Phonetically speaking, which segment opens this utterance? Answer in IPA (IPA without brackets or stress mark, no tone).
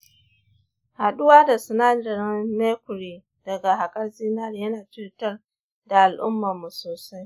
h